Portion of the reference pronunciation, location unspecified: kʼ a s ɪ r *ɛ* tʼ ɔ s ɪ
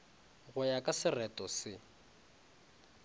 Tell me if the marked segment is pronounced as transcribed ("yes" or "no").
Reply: yes